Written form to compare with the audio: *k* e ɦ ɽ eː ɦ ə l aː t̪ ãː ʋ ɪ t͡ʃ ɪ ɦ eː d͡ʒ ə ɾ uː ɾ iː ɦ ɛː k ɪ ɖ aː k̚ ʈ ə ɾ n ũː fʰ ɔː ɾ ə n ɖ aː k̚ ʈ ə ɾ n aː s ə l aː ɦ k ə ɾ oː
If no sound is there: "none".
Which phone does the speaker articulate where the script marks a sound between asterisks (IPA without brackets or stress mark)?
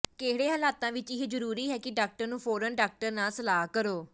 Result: k